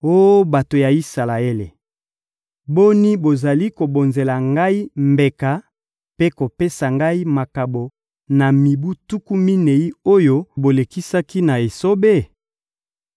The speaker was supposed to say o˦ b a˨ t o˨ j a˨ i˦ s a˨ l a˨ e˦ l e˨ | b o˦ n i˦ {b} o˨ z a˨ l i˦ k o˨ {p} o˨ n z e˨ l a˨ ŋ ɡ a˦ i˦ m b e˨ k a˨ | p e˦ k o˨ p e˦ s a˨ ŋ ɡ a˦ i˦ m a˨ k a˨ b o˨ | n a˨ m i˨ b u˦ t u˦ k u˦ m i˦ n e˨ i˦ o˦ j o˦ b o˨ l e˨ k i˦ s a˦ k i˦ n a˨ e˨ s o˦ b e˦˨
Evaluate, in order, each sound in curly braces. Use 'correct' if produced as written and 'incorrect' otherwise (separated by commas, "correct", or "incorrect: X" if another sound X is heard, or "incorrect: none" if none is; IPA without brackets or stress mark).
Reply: correct, incorrect: b